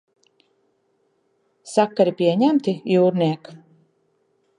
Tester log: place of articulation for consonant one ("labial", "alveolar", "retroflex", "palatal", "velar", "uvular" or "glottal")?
alveolar